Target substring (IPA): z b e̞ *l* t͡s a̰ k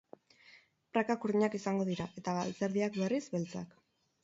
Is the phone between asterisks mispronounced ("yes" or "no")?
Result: no